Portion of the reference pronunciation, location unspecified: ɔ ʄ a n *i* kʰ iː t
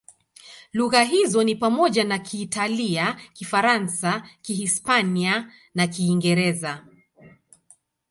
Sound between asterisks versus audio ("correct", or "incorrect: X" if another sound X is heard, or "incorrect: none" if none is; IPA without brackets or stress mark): incorrect: a